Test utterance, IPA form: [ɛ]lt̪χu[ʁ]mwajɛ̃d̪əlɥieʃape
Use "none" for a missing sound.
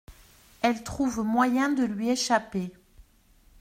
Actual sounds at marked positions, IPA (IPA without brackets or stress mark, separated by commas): ɛ, v